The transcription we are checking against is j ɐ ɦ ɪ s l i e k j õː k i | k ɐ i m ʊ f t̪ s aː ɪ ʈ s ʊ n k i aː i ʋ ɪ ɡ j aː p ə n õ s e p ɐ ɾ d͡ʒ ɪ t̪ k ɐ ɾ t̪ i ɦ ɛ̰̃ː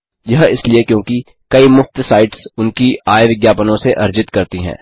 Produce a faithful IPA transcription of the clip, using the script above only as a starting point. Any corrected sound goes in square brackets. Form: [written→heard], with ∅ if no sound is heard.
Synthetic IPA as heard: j ɐ ɦ ɪ s l i e k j õː k i | k ɐ i m ʊ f t̪ s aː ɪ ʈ s ʊ n k i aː [i→j] ʋ ɪ ɡ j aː p ə n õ s e [p→ʔ] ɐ ɾ d͡ʒ ɪ t̪ k ɐ ɾ t̪ i ɦ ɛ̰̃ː

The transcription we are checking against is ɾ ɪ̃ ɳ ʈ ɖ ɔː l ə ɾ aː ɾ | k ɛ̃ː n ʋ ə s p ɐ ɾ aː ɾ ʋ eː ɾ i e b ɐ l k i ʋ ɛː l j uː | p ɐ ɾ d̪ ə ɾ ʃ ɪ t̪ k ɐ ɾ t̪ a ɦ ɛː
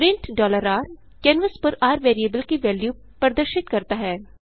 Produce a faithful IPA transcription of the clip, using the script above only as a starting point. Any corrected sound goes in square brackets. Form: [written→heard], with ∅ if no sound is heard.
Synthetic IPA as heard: ɾ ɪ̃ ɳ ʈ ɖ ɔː l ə ɾ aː ɾ | k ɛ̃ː n ʋ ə s p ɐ ɾ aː ɾ ʋ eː ɾ i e b [ɐ→ə] l k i ʋ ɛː l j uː | p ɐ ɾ d̪ ə ɾ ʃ ɪ t̪ k ɐ ɾ t̪ a ɦ ɛː

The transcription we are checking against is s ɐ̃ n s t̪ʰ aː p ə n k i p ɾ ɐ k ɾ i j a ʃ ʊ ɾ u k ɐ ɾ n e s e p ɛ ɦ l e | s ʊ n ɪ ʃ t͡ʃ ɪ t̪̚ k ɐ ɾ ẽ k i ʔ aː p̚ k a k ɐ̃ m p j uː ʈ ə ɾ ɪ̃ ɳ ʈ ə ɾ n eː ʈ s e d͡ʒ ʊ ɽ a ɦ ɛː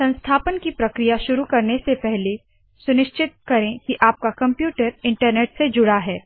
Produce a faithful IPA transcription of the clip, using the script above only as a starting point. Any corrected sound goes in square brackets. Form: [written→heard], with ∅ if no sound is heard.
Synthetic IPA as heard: s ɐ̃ n s t̪ʰ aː p ə n k i p ɾ ɐ k ɾ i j a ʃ ʊ ɾ u k ɐ ɾ n e s e p ɛ ɦ l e | s ʊ n ɪ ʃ t͡ʃ ɪ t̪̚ k ɐ ɾ ẽ k i ʔ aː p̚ k a k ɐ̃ m p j uː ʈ ə ɾ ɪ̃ ɳ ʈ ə ɾ n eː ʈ s e d͡ʒ ʊ ɽ a ɦ ɛː

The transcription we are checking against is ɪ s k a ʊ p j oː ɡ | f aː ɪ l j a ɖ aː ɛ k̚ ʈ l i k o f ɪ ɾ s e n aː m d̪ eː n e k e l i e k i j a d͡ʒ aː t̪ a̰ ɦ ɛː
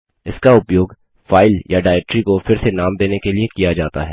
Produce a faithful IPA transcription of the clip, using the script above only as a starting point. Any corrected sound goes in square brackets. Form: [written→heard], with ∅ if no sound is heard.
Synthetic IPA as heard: ɪ s k a ʊ p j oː ɡ | f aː ɪ l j a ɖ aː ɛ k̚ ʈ [l→ɾ] i k o f ɪ ɾ s e n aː m d̪ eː n e k e l i e k i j a d͡ʒ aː t̪ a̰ ɦ ɛː

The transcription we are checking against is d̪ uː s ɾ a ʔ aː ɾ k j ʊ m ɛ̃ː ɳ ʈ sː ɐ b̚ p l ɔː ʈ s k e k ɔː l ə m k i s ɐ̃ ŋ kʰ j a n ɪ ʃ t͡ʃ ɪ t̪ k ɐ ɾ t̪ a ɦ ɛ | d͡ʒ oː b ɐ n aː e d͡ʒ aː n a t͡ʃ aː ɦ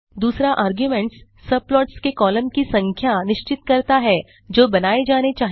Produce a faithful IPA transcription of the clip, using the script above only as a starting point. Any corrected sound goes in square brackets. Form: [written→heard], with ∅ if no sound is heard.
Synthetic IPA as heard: d̪ uː s ɾ a ʔ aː ɾ [k→ɡ] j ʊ m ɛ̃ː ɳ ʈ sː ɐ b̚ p l ɔː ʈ s k e k ɔː l ə m k i s ɐ̃ ŋ kʰ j a n ɪ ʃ t͡ʃ ɪ t̪ k ɐ ɾ t̪ a ɦ ɛ | d͡ʒ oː b ɐ n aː e d͡ʒ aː n [a→e] t͡ʃ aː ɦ

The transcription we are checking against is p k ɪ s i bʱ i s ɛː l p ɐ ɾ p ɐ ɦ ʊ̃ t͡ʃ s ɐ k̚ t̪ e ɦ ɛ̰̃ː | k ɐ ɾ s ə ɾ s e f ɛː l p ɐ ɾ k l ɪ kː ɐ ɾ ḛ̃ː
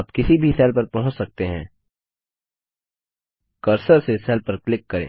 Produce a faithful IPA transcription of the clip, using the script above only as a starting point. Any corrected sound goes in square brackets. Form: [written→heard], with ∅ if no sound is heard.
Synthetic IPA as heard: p k ɪ s i bʱ i s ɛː l p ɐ ɾ p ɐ ɦ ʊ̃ t͡ʃ s ɐ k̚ t̪ e ɦ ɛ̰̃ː | k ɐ ɾ s ə ɾ s e [f→s] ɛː l p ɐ ɾ k l ɪ kː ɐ ɾ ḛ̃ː

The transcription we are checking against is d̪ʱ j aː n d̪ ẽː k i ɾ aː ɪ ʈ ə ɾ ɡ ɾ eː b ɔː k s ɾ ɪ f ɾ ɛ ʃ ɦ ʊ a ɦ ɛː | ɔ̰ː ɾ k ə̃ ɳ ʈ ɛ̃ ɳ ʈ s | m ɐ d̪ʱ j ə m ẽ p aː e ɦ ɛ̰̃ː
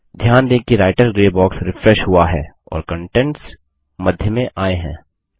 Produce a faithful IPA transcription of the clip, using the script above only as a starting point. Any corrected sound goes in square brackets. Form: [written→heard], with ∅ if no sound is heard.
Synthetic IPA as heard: d̪ʱ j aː n d̪ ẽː k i ɾ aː ɪ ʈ ə ɾ ɡ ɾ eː b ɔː k s ɾ ɪ f ɾ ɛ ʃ ɦ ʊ a ɦ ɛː | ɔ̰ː ɾ k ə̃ ɳ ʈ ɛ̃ ɳ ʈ s | m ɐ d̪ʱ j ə m ẽ [p→ʔ] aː e ɦ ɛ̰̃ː

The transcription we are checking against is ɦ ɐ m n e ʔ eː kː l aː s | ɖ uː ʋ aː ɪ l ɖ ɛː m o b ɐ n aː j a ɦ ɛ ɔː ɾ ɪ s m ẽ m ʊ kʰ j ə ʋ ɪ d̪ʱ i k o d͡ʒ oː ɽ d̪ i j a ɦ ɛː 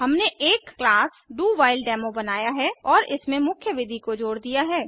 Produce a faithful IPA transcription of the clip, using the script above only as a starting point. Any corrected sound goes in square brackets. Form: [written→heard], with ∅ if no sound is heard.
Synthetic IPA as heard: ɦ ɐ m n e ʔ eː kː l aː s | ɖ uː ʋ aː ɪ l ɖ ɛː m o b ɐ n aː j a ɦ ɛ ɔː ɾ ɪ s m ẽ m ʊ kʰ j ə ʋ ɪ d̪ʱ i k o d͡ʒ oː ɽ d̪ i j a ɦ ɛː

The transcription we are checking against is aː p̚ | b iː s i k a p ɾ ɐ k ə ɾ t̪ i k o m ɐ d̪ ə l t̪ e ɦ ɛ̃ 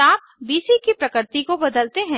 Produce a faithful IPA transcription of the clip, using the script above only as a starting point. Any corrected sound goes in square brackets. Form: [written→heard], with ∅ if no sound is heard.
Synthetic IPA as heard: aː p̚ | b iː s i k [a→i] p ɾ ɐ k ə ɾ t̪ i k o [m→b] ɐ d̪ ə l t̪ e ɦ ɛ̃

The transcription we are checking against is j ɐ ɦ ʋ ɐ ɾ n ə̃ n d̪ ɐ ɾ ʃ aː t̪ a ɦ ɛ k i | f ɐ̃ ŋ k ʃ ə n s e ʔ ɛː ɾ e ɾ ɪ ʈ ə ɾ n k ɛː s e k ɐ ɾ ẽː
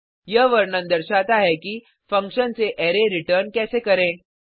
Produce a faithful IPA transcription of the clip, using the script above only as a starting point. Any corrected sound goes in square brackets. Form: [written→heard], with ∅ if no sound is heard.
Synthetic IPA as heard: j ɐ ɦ ʋ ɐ ɾ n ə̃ n d̪ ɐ ɾ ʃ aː t̪ a ɦ ɛ k i | f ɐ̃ ŋ k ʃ ə n s e ʔ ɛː ɾ e ɾ ɪ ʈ ə ɾ n k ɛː s e k ɐ ɾ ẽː

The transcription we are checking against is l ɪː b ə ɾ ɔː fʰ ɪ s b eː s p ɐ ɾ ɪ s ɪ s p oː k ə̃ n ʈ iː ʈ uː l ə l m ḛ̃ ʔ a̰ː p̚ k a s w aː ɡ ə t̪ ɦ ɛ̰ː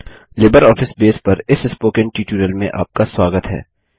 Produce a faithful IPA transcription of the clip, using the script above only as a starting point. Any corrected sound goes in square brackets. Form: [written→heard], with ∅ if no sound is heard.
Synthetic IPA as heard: l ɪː b ə ɾ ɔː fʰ ɪ s b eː s p ɐ ɾ ɪ s ɪ s p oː k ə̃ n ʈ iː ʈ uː [l→ɾ] ə l m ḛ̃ ʔ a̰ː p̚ k a s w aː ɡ ə t̪ ɦ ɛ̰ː

